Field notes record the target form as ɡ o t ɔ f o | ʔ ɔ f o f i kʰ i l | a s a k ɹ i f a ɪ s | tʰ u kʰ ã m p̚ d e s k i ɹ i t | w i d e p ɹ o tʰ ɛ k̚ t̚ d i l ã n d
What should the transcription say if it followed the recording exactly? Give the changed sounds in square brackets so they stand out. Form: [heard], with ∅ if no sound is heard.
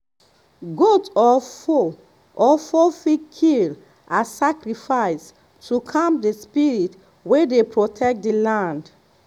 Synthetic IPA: ɡ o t ɔ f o | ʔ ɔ f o f i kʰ i l | a s a k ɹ i f a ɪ s | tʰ u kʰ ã m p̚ d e s [p] i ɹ i t | w [e] d e p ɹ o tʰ ɛ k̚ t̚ d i l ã n d